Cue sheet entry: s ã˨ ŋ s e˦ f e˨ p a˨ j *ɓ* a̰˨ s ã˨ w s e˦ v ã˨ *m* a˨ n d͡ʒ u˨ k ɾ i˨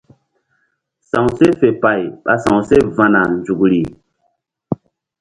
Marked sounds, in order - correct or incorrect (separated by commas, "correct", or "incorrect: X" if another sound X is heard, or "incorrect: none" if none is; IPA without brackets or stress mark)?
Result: correct, incorrect: n